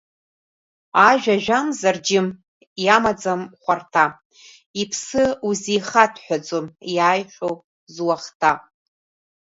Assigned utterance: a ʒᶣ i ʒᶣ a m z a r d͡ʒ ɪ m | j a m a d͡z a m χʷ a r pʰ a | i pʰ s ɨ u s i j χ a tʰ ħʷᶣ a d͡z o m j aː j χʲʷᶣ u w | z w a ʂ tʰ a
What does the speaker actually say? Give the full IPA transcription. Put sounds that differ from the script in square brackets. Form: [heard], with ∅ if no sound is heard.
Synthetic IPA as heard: a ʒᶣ [a] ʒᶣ a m z a r d͡ʒ ɪ m | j a m a d͡z a m χʷ a r [tʰ] a | i pʰ s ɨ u [z] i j χ a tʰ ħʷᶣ a d͡z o m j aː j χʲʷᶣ [o] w | z w a [χ] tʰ a

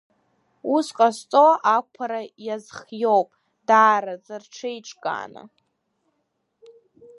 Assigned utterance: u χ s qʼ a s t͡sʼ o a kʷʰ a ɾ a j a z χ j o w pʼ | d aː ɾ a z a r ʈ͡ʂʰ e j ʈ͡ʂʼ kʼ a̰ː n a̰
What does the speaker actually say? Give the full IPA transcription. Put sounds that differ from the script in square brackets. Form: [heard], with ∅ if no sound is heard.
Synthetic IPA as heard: u [∅] s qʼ a s t͡sʼ o a kʷʰ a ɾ a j a z χ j o w pʼ | d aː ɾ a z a r ʈ͡ʂʰ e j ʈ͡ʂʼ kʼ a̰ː n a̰

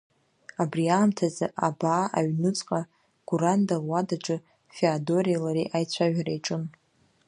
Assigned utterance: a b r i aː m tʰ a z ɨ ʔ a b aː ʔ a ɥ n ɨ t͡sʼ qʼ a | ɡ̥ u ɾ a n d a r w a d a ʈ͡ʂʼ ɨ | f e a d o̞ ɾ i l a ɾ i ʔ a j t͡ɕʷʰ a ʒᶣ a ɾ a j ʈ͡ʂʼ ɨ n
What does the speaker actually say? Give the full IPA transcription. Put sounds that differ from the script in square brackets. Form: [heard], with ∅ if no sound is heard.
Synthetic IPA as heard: a b r i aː m tʰ a z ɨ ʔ a b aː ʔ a ɥ n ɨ t͡sʼ qʼ a | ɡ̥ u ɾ a n d a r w a d a ʈ͡ʂʼ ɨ | f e a d o̞ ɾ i l a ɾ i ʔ a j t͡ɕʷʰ a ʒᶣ a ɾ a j ʈ͡ʂʼ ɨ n

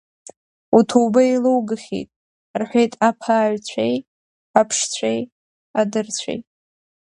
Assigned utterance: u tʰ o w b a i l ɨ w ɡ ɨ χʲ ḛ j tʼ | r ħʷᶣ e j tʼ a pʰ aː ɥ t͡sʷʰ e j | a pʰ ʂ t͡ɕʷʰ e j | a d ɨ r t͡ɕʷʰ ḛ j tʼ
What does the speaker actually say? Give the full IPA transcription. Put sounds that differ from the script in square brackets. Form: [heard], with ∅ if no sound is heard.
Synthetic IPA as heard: u tʰ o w b a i l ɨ w ɡ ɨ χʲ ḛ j tʼ | r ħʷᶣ e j tʼ a pʰ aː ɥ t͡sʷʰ e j | a pʰ ʂ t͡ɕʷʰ e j | a d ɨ r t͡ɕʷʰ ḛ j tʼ

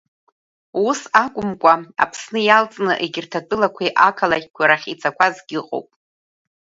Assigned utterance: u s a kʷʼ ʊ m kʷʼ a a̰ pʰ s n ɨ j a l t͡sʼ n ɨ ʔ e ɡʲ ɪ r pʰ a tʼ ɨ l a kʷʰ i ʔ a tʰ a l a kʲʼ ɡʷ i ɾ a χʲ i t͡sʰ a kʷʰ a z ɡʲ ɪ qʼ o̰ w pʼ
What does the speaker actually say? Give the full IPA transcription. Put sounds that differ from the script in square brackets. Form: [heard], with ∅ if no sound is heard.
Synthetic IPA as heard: u s a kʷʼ ʊ m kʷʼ a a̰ pʰ s n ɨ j a l t͡sʼ n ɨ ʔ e ɡʲ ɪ r [tʰ] a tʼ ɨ l a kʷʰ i ʔ a [kʰ] a l a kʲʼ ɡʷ [a] ɾ a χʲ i t͡sʰ a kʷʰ a z ɡʲ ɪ qʼ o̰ w pʼ

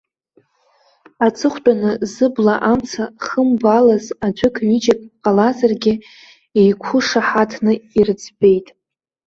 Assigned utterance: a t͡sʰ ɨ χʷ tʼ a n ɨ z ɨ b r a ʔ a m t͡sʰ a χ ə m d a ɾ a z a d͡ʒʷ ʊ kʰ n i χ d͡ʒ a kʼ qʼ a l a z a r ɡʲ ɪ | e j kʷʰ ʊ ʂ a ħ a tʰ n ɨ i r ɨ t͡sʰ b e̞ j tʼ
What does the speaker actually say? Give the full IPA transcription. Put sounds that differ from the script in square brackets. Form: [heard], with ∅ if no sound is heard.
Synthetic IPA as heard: a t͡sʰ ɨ χʷ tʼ a n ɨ z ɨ b [l] a ʔ a m t͡sʰ a χ ə m [b] a [l] a z a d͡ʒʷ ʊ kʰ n i [∅] d͡ʒ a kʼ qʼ a l a z a r ɡʲ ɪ | e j kʷʰ ʊ ʂ a ħ a tʰ n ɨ i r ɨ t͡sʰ b e̞ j tʼ

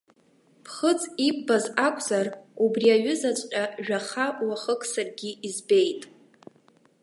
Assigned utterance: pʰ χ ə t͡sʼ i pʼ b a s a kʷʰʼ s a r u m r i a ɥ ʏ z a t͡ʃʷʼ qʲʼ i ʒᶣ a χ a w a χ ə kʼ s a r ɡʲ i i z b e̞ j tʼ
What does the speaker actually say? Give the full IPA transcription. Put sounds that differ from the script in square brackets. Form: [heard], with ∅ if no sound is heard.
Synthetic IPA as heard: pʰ χ ə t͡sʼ i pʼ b a [z] a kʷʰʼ [z] a r u [b] r i a ɥ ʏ z a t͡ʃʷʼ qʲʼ [a] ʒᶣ a χ a w a χ ə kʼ s a r ɡʲ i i z b e̞ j tʼ

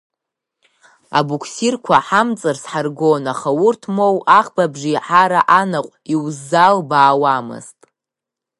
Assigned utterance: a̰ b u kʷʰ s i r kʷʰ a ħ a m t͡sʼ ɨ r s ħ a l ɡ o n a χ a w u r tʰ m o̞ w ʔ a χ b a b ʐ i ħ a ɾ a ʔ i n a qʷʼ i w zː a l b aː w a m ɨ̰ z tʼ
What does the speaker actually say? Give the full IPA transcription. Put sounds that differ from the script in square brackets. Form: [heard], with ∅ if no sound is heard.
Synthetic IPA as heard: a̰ b u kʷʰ s i r kʷʰ a ħ a m t͡sʼ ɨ r s ħ a [r] ɡ o n a χ a w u r tʰ m o̞ w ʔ a χ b a b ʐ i ħ a ɾ a ʔ [a] n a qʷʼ i w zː a l b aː w a m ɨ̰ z tʼ

